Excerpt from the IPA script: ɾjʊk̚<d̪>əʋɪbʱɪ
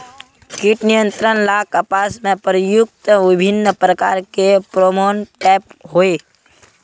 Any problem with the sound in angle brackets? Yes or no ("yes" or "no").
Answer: yes